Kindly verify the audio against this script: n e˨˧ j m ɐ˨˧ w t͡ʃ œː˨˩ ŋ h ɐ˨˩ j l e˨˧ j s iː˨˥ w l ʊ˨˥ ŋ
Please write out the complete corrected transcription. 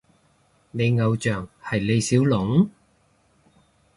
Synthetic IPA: n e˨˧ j ŋ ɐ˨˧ w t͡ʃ œː˨˩ ŋ h ɐ˨˩ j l e˨˧ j s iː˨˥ w l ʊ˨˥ ŋ